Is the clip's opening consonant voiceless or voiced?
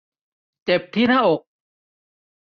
voiceless